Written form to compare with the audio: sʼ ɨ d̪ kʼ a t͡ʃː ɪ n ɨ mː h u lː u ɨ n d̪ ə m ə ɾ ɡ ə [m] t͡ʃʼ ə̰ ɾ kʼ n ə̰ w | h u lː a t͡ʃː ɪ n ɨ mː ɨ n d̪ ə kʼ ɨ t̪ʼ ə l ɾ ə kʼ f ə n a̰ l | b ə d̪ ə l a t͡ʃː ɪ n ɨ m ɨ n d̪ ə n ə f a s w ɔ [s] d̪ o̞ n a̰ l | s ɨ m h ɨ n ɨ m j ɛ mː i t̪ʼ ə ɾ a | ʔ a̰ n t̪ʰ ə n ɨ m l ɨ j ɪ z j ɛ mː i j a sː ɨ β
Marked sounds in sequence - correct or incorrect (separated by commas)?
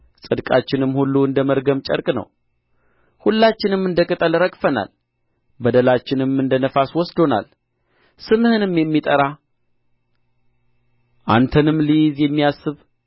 correct, correct